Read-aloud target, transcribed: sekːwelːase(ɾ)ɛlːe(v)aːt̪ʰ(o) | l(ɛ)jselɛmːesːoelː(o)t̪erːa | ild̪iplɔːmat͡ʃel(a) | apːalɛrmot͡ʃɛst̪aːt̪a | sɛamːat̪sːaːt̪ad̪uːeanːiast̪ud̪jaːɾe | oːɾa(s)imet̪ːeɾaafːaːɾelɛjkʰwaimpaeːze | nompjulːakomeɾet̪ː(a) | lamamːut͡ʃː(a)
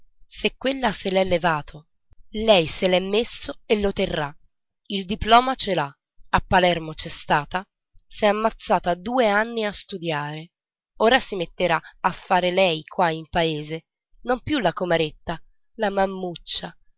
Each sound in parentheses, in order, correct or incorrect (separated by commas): incorrect, correct, correct, correct, correct, correct, correct, correct, correct